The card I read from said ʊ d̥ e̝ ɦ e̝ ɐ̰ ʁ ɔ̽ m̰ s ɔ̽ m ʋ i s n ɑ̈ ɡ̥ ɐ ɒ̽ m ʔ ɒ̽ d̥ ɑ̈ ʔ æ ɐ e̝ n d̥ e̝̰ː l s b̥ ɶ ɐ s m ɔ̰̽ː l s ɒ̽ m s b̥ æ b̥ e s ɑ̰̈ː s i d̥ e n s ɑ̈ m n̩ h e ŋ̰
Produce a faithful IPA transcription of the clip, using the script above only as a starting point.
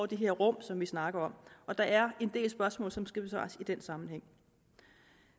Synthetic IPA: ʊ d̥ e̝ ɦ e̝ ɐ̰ ʁ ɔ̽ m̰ s ɒ̽ m ʋ i s n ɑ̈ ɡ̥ ɐ ɒ̽ m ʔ ɒ̽ d̥ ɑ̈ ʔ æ ɐ e̝ n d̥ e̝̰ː l s b̥ ɶ ɐ s m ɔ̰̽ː l s ɒ̽ m s ɡ̥ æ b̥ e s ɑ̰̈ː s i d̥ e n s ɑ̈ m n̩ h e ŋ̰